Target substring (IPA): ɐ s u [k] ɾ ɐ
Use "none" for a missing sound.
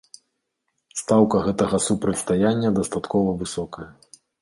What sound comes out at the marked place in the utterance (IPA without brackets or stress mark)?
p